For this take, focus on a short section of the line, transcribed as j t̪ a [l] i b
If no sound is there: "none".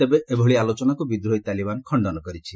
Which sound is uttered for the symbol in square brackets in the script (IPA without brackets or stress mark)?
l